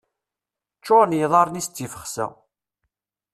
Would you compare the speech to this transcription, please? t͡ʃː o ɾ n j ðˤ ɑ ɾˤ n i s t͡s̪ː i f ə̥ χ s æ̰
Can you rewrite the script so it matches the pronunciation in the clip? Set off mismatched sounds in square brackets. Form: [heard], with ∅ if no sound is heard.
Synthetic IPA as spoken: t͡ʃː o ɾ n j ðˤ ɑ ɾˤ n i s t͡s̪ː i f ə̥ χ s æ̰